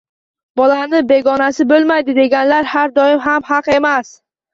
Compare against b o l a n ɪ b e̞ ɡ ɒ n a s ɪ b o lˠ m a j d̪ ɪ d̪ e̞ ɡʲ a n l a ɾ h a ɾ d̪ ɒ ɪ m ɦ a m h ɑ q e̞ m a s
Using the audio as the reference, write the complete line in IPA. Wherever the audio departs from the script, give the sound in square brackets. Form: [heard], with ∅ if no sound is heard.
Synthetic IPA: b [ɒ] l a n ɪ b e̞ ɡ ɒ n a s ɪ b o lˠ m a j d̪ ɪ d̪ e̞ ɡʲ a n l a ɾ h a ɾ d̪ ɒ ɪ m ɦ a m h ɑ q e̞ m a s